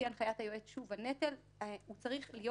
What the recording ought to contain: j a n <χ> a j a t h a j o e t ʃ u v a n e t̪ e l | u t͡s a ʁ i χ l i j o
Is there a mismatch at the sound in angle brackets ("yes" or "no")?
no